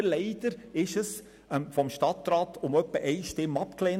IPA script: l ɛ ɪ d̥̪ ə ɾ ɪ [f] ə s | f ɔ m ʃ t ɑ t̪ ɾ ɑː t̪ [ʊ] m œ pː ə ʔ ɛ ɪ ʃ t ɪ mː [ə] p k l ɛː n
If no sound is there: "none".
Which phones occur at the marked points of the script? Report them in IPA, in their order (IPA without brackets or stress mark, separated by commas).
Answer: ʃ, ʊ, ɑ